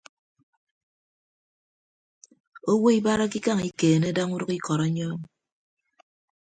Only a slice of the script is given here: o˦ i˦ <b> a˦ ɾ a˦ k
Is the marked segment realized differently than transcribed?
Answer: no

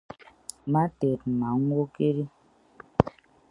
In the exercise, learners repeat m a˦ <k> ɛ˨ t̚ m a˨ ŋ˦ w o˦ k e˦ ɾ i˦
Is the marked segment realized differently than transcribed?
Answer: yes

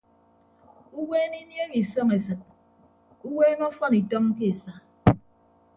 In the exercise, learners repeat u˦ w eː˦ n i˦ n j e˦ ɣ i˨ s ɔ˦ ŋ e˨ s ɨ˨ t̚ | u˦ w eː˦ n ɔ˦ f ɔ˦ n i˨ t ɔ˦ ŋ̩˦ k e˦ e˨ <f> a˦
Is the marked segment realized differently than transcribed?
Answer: yes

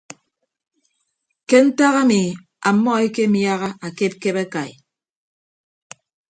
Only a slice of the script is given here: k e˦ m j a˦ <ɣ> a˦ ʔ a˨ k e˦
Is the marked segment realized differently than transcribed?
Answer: no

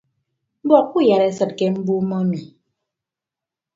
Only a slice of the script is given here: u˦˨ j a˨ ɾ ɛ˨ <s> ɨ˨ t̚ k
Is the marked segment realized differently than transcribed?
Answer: no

